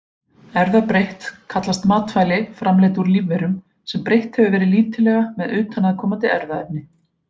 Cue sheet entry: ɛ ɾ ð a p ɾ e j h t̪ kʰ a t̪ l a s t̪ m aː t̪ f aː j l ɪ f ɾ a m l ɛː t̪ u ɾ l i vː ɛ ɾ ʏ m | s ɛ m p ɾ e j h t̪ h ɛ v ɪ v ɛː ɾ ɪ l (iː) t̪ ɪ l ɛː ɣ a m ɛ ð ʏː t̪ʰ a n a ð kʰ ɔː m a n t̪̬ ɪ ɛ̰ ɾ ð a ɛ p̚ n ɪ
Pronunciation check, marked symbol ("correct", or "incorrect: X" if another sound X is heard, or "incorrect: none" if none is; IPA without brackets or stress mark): correct